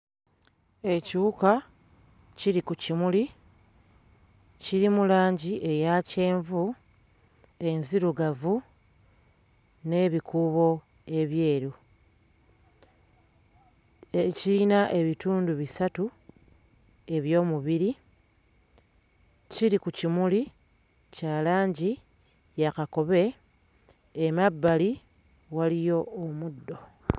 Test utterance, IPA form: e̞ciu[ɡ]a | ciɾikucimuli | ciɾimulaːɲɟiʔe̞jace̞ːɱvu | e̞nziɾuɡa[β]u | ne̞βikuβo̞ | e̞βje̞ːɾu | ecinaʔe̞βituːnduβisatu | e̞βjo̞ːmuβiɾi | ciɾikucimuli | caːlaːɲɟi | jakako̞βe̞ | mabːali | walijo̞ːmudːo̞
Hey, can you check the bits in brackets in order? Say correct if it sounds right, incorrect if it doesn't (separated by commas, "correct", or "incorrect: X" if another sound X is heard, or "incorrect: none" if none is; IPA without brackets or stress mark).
incorrect: k, incorrect: v